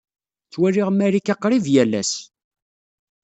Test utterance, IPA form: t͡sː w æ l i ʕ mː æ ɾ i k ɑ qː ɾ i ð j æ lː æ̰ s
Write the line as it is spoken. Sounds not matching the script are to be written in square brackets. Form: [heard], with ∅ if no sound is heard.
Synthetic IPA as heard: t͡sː w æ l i [ʁ] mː æ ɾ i k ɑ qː ɾ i [v] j æ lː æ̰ s